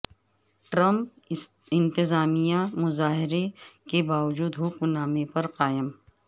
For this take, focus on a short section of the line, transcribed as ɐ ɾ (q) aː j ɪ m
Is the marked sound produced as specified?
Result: yes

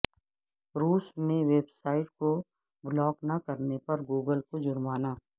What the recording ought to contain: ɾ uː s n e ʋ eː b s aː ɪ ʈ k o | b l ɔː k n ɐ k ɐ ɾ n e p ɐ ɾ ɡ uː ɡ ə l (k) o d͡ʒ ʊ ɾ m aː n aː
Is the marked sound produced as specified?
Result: yes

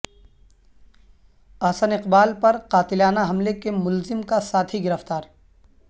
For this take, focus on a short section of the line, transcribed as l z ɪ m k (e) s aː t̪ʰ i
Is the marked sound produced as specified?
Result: no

